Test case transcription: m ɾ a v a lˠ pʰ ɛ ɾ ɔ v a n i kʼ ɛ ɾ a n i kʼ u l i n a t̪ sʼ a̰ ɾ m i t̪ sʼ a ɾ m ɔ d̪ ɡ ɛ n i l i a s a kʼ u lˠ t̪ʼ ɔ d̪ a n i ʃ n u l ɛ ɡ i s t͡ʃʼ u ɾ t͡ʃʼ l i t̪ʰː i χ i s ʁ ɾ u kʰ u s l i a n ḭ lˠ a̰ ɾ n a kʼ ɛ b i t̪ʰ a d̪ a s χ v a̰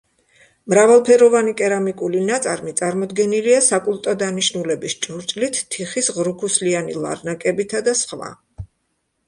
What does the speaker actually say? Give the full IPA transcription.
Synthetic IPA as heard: m ɾ a v a lˠ pʰ ɛ ɾ ɔ v a n i kʼ ɛ ɾ a m i kʼ u l i n a t̪ sʼ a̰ ɾ m i t̪ sʼ a ɾ m ɔ d̪ ɡ ɛ n i l i a s a kʼ u lˠ t̪ʼ ɔ d̪ a n i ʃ n u l ɛ b i s t͡ʃʼ u ɾ t͡ʃʼ l i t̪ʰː i χ i s ʁ ɾ u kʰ u s l i a n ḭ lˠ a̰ ɾ n a kʼ ɛ b i t̪ʰ a d̪ a s χ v a̰